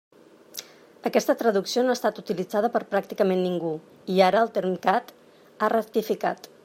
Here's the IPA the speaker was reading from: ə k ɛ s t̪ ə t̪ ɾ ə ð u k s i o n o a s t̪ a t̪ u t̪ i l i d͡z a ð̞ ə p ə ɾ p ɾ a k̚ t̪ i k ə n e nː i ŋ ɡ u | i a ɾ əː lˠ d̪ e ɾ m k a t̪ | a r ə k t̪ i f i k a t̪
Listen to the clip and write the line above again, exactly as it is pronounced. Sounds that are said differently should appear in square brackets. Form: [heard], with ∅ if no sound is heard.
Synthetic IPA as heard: ə k ɛ s t̪ ə t̪ ɾ ə ð u k s i o n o a s t̪ a t̪ u t̪ i l i d͡z a ð̞ ə p ə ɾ p ɾ a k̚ t̪ i k ə [m] e nː i ŋ ɡ u | i a ɾ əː lˠ [t̪] e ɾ m k a t̪ | a r ə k t̪ i f i k a t̪

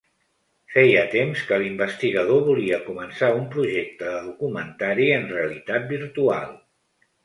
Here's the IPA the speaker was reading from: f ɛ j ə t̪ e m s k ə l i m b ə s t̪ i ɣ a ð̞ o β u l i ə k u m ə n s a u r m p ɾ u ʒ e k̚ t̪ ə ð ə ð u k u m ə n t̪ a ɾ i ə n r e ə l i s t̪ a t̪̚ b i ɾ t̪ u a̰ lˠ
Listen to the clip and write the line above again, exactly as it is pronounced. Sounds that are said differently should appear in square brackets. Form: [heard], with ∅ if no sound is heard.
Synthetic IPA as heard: f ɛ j ə t̪ e m s k ə l i m b ə s t̪ i ɣ [ə] ð̞ o β u l i ə k u m ə n s a u [∅] m p ɾ u ʒ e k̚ t̪ ə ð ə ð u k u m ə n t̪ a ɾ i ə n r e ə l i [∅] t̪ a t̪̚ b i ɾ t̪ u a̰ lˠ

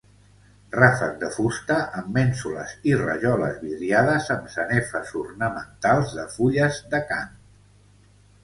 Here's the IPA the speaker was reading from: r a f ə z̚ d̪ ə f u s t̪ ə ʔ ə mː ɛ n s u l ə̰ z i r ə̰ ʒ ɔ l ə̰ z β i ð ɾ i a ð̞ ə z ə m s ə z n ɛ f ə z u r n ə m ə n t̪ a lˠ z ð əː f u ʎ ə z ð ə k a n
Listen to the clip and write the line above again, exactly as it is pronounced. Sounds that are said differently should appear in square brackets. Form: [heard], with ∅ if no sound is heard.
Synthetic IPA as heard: r a f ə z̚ d̪ ə f u s t̪ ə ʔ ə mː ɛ n s u l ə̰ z i r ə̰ ʒ ɔ l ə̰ z β i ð ɾ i a ð̞ ə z ə m s ə [∅] n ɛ f ə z u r n ə m ə n t̪ a lˠ z ð [ə] f u ʎ ə z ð ə k a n

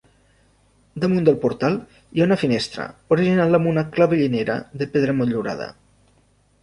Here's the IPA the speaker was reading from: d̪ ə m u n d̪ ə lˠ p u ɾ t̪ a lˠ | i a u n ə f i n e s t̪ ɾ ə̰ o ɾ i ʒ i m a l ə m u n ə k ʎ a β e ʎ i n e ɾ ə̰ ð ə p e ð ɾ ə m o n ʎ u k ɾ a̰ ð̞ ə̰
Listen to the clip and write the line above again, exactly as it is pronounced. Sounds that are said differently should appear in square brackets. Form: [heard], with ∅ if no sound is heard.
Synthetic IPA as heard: d̪ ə m u n d̪ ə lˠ p u ɾ t̪ a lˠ | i a u n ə f i n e s t̪ ɾ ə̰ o ɾ i ʒ i [n] a l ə m u n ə k [l] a β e ʎ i n e ɾ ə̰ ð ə p e ð ɾ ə m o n ʎ u [∅] ɾ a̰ ð̞ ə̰

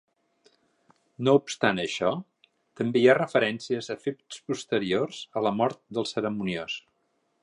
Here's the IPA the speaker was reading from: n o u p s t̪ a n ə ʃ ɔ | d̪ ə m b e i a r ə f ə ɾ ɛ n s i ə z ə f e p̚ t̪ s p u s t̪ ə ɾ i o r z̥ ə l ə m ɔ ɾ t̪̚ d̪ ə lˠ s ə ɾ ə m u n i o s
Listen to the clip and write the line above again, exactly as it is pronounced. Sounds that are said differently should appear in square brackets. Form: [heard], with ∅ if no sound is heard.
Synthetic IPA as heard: n o u p s t̪ a n ə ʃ ɔ | [t̪] ə m b e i a r ə f ə ɾ ɛ n s i ə z ə f e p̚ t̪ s p u s t̪ ə ɾ i o r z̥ ə l ə m ɔ ɾ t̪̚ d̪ ə lˠ s ə ɾ ə m u n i o s

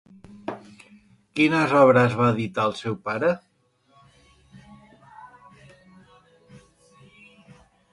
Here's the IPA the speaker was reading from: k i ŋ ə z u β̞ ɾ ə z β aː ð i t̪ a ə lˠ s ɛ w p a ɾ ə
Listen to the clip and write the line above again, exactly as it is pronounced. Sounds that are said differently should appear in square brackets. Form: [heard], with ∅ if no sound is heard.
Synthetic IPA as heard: k i [n] ə z [ɔ] β̞ ɾ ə z β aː ð i t̪ a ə lˠ s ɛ w p a ɾ ə

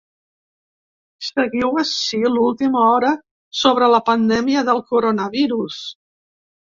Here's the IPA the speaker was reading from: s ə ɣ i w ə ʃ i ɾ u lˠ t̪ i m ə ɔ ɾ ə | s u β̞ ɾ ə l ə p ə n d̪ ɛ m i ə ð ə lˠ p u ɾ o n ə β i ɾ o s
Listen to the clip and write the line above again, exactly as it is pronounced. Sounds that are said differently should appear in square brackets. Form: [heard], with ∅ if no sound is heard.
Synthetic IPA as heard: s ə ɣ i w ə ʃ i [l] u lˠ t̪ i m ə ɔ ɾ ə | s [o] β̞ ɾ ə l ə p ə n d̪ ɛ m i ə ð ə lˠ [k] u ɾ o n ə β i ɾ [u] s

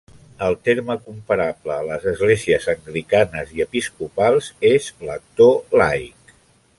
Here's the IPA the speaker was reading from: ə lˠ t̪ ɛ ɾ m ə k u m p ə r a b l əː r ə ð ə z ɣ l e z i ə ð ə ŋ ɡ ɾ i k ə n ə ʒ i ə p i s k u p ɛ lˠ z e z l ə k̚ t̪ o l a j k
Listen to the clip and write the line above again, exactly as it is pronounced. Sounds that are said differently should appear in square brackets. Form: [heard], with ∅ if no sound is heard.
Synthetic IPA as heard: ə lˠ t̪ [e] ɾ m ə k u m p ə [ɾ] a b l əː [l] ə [z] ə z ɣ l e z i ə [z] ə ŋ ɡ ɾ i k [a] n ə [z] i ə p i s k u p [a] lˠ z e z l ə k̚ t̪ o l a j k

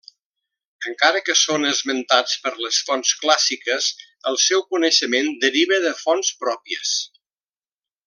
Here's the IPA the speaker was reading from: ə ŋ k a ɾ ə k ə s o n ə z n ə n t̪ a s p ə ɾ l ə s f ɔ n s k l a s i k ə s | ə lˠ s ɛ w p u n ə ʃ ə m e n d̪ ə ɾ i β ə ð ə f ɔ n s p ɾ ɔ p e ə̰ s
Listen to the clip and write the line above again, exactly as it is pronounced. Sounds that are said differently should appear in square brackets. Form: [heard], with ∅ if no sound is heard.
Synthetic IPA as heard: ə ŋ k a ɾ ə k ə s o n ə z [m] ə n t̪ a [t͡s] p ə ɾ l ə s f ɔ n s k l a s i k ə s | ə lˠ s ɛ w [k] u n ə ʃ ə m e n d̪ ə ɾ i β ə ð ə f ɔ n s p ɾ ɔ p [i] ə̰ s

